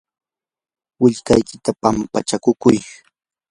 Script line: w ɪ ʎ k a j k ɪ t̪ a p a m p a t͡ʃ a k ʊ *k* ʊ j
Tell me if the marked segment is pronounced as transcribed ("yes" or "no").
yes